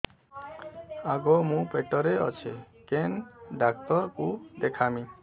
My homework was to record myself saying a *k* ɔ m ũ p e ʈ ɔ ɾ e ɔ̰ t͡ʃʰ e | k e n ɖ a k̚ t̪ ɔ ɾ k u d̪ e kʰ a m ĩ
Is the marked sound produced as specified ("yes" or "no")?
no